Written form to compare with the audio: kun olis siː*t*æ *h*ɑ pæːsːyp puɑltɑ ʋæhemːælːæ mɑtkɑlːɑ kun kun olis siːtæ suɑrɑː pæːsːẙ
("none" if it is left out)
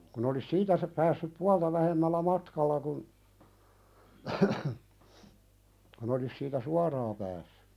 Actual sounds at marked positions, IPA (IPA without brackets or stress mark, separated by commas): t, s